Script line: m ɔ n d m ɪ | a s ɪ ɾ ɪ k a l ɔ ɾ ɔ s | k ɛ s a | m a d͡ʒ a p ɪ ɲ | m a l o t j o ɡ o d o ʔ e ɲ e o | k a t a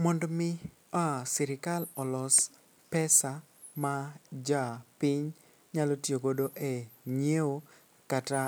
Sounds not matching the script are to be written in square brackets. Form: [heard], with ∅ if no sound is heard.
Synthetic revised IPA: m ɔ n d m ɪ | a s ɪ ɾ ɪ k a l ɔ [l] ɔ s | [p] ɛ s a | m a d͡ʒ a p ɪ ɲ | [ɲ] a l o t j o ɡ o d o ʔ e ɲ e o | k a t a